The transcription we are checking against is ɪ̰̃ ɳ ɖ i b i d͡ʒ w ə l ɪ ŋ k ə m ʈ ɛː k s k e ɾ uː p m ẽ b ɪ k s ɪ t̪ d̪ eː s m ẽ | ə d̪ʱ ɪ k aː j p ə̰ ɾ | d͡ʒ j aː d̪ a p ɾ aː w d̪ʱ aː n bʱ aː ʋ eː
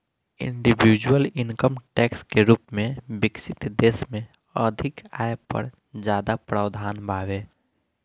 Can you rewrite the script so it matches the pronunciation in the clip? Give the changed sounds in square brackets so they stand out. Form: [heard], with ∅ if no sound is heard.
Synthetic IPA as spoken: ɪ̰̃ ɳ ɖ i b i d͡ʒ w ə l ɪ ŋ k ə m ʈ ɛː k s k e ɾ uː p m ẽ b ɪ k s ɪ t̪ d̪ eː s m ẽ | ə d̪ʱ ɪ k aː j p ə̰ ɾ | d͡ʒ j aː d̪ a p ɾ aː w d̪ʱ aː n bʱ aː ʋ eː